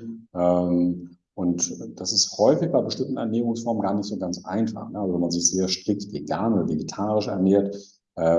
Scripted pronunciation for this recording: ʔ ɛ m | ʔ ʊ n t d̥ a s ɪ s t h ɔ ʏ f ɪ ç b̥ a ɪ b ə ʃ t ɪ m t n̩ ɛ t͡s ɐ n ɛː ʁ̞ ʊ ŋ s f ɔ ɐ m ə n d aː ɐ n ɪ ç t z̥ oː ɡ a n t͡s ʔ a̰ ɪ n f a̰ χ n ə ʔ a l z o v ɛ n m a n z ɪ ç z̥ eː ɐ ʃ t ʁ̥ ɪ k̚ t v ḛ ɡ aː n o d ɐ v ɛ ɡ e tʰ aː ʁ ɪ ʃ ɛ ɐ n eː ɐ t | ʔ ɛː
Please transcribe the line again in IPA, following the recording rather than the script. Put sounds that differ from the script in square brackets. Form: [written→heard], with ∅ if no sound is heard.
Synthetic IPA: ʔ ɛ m | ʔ ʊ n t d̥ a s ɪ s t h ɔ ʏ f ɪ ç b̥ a ɪ b ə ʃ t ɪ m t n̩ ɛ [t͡s→∅] ɐ n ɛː ʁ̞ ʊ ŋ s f ɔ ɐ m ə n [d→ɡ] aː ɐ n ɪ ç t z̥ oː ɡ a n t͡s ʔ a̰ ɪ n f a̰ χ n ə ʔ a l z o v ɛ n m a n z ɪ ç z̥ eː ɐ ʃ t ʁ̥ ɪ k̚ t v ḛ ɡ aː n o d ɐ v [ɛ→e] ɡ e tʰ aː ʁ ɪ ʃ ɛ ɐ n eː ɐ t | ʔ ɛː